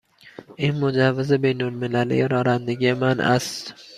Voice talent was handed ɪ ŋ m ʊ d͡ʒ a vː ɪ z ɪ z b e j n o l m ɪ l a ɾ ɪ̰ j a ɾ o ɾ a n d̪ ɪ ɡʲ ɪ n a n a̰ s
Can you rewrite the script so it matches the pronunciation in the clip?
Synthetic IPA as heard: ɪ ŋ m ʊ d͡ʒ a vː ɪ z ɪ b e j n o l m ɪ l a l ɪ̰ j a ɾ ɒ ɾ a n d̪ ɪ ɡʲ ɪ m a n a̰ s